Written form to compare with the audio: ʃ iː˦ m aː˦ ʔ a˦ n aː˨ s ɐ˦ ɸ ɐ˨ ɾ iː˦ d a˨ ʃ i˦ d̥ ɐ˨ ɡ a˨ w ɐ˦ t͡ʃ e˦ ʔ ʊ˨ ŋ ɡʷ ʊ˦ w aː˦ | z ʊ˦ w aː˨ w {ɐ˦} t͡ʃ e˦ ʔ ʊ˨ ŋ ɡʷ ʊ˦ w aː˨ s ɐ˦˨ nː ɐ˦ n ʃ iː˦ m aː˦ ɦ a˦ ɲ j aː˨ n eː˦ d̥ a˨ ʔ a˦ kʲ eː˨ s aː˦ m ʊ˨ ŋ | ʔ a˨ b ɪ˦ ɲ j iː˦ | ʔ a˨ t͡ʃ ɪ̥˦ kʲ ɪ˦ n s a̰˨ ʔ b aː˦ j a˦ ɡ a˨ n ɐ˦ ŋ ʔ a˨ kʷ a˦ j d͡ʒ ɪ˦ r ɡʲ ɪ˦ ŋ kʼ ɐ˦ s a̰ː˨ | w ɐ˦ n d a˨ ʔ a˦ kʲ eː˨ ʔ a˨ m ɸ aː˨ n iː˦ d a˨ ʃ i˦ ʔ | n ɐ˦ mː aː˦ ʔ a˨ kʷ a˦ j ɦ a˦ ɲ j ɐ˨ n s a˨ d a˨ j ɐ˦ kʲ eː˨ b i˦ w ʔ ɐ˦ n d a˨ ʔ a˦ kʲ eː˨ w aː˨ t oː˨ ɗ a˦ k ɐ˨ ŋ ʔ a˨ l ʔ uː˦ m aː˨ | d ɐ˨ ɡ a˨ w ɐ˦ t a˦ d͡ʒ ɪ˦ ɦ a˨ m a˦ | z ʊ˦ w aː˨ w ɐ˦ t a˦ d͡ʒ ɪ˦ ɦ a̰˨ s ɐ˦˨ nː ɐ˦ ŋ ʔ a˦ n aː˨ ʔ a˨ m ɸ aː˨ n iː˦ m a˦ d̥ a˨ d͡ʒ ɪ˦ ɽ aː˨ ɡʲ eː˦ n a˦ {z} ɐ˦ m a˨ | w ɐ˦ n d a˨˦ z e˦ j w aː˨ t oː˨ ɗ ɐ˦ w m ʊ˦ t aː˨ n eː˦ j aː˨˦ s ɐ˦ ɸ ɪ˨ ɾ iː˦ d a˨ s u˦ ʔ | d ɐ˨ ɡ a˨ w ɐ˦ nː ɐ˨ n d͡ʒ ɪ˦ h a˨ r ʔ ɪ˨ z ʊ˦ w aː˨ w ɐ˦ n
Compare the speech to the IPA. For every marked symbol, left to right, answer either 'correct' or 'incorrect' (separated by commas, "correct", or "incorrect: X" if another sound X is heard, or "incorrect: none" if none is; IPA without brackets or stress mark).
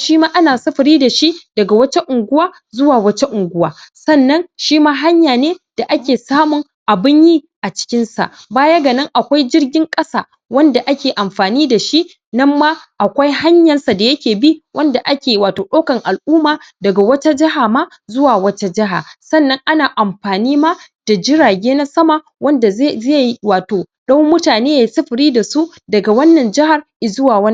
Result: correct, incorrect: s